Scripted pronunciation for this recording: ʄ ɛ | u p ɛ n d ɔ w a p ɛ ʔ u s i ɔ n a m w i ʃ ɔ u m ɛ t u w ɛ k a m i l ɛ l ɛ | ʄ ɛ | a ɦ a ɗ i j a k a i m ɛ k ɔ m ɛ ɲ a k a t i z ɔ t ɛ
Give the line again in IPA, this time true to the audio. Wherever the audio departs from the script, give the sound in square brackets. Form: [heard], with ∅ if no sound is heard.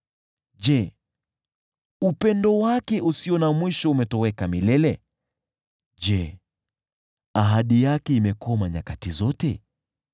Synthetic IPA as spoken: ʄ ɛ | u p ɛ n d ɔ w a [k] ɛ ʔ u s i ɔ n a m w i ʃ ɔ u m ɛ t [ɔ] w ɛ k a m i l ɛ l ɛ | ʄ ɛ | a ɦ a ɗ i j a k [ɛ] i m ɛ k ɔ m [a] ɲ a k a t i z ɔ t ɛ